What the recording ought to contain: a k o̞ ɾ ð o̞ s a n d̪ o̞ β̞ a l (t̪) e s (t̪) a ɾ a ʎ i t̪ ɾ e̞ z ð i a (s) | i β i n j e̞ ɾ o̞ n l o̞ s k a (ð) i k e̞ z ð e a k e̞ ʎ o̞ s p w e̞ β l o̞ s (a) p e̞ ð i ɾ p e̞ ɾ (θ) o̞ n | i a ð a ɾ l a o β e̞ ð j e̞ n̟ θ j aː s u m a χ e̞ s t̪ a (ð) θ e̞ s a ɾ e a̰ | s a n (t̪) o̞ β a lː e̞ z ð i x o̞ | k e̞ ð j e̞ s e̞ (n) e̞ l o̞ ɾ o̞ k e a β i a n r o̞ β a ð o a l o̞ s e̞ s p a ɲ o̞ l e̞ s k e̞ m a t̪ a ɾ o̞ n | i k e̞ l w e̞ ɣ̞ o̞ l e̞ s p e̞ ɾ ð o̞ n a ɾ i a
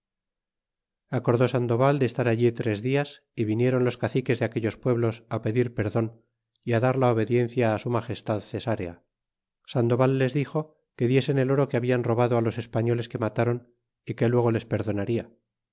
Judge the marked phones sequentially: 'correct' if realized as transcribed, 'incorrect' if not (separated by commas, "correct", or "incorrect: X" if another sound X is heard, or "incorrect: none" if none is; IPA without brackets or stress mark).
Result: incorrect: d̪, correct, correct, incorrect: θ, correct, incorrect: ð, correct, incorrect: d̪, correct